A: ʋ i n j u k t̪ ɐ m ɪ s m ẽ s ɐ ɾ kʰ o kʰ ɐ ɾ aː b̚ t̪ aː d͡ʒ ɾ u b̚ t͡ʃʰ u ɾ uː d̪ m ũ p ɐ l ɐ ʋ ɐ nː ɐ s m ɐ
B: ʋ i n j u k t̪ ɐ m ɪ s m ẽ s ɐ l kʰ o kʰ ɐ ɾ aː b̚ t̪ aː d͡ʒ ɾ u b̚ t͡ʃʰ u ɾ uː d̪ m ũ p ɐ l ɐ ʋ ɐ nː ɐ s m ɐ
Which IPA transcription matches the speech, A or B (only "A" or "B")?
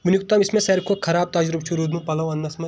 A